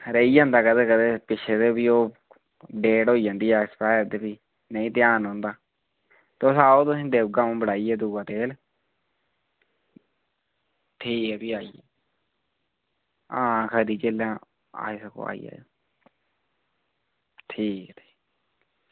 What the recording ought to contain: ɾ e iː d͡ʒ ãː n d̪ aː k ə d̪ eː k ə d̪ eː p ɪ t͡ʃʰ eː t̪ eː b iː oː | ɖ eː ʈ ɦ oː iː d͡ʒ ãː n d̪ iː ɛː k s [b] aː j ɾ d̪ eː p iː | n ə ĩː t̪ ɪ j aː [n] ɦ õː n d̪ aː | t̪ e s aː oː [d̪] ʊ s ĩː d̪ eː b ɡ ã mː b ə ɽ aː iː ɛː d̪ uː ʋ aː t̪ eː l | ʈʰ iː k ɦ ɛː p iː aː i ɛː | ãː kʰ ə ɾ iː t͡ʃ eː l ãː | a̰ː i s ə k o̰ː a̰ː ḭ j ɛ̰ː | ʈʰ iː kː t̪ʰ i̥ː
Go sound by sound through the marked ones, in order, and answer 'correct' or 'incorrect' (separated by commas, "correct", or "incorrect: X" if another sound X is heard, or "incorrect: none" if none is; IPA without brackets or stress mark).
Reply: incorrect: p, correct, incorrect: t̪